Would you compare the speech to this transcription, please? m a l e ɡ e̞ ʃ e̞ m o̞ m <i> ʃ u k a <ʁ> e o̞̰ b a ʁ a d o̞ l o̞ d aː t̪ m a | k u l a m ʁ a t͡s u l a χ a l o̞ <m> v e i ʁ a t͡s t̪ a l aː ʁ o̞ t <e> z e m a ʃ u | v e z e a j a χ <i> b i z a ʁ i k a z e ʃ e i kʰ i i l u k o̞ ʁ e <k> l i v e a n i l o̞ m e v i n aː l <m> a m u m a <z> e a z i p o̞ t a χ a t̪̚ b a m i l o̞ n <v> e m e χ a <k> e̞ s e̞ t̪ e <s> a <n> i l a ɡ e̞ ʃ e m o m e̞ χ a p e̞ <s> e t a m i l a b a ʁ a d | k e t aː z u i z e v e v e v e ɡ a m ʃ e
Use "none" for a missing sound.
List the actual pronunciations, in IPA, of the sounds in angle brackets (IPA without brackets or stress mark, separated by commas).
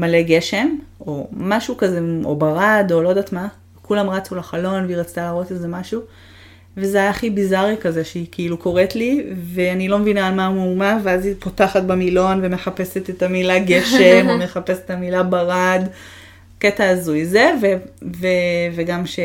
a, z, n, e, i, t, m, v, v, p, t, m, s